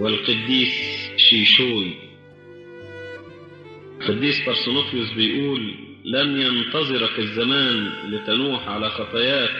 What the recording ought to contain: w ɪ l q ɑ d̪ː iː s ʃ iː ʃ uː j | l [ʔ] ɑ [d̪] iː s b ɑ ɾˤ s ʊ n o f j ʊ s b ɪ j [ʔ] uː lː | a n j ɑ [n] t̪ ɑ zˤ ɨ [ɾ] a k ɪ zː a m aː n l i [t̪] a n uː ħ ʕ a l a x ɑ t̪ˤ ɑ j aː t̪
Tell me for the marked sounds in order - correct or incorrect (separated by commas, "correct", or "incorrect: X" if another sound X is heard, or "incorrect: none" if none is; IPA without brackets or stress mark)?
incorrect: q, incorrect: d̪ː, correct, correct, correct, correct